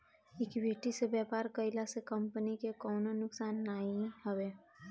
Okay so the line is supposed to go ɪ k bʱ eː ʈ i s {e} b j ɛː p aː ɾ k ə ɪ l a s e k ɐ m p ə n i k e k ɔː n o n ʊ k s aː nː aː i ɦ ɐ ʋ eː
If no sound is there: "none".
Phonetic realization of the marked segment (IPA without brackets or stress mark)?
e